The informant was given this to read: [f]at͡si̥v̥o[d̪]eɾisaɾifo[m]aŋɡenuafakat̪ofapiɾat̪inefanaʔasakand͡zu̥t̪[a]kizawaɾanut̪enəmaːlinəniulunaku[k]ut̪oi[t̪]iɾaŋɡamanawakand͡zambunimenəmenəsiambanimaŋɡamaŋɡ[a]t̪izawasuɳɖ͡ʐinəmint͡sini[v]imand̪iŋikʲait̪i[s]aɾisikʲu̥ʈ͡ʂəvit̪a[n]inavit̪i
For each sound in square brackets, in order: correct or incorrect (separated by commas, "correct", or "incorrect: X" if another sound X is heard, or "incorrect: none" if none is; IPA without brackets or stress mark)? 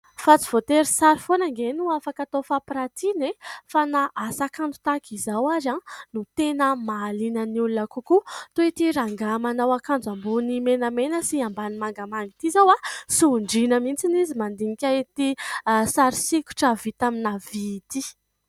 correct, incorrect: t̪, incorrect: n, correct, correct, correct, incorrect: i, incorrect: z, correct, incorrect: m